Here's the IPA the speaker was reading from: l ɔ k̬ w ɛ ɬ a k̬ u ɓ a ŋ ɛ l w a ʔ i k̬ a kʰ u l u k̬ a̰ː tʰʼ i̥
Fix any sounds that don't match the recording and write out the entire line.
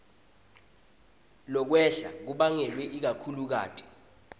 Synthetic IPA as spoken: l ɔ k̬ w ɛ ɬ a k̬ u ɓ a ŋ ɛ l w ɛ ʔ i k̬ a kʰ u l u k̬ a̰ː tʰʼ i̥

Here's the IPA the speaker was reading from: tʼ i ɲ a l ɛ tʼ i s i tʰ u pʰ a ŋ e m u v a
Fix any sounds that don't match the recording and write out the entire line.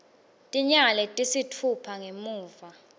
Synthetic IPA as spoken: tʼ i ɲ a l ɛ tʼ i s i tʰ u pʰ a ŋ e m uː v a

